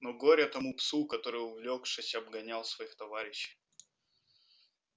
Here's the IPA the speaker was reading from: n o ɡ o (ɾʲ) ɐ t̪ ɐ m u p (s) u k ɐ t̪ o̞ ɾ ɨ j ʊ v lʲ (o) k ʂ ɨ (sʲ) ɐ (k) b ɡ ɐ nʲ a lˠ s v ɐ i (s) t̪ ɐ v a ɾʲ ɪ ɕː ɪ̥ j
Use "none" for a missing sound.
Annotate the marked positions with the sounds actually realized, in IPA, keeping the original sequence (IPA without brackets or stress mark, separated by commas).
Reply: ɾʲ, s, o, sʲ, none, x